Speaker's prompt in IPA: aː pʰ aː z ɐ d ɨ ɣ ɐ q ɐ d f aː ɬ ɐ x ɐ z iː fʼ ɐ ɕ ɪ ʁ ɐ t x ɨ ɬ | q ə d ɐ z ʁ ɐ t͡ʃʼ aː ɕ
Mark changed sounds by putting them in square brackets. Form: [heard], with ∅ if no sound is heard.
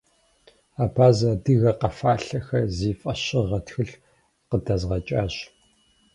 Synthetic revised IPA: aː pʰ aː z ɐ d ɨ ɣ ɐ q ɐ [∅] f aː ɬ ɐ x ɐ z iː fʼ ɐ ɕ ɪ ʁ ɐ t x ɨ ɬ | q ə d ɐ z ʁ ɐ t͡ʃʼ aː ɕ